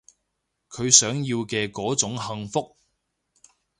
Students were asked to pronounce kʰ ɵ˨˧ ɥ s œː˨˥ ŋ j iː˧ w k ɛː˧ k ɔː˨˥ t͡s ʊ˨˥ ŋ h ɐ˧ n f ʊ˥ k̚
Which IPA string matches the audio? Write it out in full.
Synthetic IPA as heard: kʰ ɵ˨˧ ɥ s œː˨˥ ŋ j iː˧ w k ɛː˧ k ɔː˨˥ t͡s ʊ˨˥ ŋ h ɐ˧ ŋ f ʊ˥ k̚